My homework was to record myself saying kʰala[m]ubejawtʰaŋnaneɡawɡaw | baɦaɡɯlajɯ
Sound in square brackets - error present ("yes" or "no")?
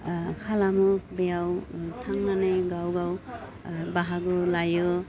no